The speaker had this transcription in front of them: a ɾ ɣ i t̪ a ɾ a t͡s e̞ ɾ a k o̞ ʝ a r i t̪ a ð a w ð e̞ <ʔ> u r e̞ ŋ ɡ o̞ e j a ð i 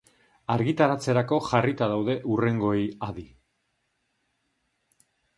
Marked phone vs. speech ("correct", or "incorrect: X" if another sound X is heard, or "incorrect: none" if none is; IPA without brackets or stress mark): correct